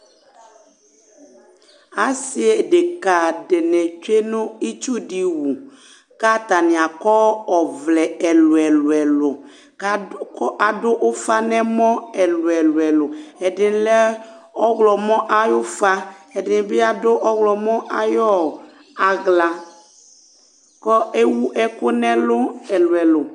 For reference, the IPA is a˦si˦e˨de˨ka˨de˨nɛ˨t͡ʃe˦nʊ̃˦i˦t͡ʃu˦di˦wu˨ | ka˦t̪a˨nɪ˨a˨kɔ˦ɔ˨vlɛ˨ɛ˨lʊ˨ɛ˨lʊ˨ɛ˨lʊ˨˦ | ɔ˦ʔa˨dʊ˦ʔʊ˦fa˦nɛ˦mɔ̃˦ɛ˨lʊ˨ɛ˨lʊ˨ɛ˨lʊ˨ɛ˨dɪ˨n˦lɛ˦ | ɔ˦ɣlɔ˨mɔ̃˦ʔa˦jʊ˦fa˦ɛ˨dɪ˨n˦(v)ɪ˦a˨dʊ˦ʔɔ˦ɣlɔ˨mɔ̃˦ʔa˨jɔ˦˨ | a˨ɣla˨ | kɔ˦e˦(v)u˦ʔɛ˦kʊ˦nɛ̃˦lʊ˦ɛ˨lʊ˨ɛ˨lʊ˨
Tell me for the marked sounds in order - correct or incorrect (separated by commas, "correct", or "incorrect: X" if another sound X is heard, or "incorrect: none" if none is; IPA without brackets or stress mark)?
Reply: incorrect: b, incorrect: w